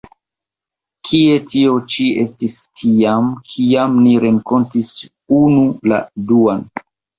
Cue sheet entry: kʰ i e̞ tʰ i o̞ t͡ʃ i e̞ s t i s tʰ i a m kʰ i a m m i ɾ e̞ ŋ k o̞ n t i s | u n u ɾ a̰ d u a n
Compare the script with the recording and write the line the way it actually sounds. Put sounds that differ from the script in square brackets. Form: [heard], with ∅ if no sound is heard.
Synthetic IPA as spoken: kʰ i e̞ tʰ i o̞ t͡ʃ i e̞ s t i s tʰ i a m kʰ i a m [n] i ɾ e̞ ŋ k o̞ n t i s | u n u [l] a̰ d u a n